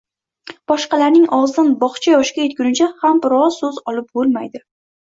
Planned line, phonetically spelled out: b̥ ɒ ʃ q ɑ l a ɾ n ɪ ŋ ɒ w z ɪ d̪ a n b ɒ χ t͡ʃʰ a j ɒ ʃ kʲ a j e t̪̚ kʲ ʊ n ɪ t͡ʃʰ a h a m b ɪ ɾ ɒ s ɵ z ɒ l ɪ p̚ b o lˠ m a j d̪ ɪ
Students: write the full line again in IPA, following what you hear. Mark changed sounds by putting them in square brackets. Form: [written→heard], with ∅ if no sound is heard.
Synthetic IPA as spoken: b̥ ɒ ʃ q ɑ l a ɾ n ɪ ŋ ɒ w z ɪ d̪ a n b ɒ χ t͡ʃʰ a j ɒ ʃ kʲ a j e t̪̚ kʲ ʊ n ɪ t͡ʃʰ a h a m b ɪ ɾ ɒ s ɵ z ɒ l ɪ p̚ b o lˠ m a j d̪ ɪ